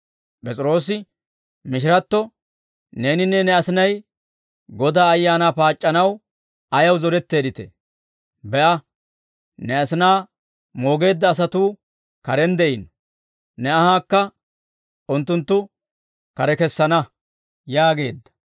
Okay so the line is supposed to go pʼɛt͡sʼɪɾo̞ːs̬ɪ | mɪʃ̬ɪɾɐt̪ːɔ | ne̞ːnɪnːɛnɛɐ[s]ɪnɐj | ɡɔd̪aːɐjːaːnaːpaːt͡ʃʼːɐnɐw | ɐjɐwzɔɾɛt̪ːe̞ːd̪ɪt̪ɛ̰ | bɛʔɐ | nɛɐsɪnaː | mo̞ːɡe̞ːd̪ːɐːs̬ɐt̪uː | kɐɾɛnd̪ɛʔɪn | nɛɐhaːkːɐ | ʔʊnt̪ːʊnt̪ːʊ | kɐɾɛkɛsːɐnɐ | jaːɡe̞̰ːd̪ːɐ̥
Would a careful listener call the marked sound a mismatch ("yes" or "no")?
no